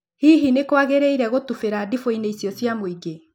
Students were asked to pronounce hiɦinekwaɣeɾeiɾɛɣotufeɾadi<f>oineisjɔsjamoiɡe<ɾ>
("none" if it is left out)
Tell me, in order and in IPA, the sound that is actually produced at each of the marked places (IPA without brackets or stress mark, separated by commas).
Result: f, none